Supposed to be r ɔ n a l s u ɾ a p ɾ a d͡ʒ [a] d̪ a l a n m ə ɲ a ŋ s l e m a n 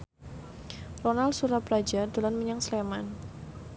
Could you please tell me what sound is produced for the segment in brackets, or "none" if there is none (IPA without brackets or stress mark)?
a